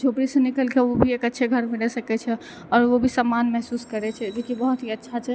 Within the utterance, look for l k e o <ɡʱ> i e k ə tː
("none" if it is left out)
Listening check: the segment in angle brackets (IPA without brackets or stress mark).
bʱ